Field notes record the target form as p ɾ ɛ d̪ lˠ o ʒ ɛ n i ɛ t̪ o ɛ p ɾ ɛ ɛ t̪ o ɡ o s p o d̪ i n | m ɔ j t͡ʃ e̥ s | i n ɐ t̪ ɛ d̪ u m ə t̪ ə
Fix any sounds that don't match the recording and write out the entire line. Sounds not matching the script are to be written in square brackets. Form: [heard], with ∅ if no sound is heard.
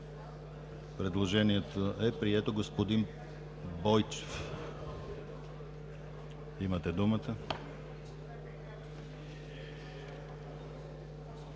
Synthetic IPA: p ɾ ɛ d̪ lˠ o ʒ ɛ n i ɛ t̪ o ɛ p ɾ [i] ɛ t̪ o ɡ o s p o d̪ i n | [b] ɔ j t͡ʃ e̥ [f] | i [m] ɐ t̪ ɛ d̪ u m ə t̪ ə